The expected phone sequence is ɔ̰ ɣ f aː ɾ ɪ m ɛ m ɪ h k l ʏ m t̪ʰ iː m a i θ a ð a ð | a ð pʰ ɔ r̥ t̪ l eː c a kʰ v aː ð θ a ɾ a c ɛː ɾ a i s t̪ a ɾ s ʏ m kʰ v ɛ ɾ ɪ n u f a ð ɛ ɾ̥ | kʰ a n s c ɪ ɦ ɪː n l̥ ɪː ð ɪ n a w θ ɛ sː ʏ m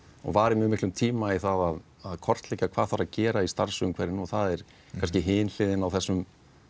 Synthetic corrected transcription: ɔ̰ ɣ v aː ɾ ɪ m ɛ m ɪ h k l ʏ m t̪ʰ iː m a i θ a ð a ð | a ð kʰ ɔ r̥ t̪ l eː c a kʰ v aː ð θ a ɾ a c ɛː ɾ a i s t̪ a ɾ s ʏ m kʰ v ɛ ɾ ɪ n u θ a ð ɛ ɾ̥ | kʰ a n s c ɪ ɦ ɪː n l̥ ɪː ð ɪ n a w θ ɛ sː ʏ m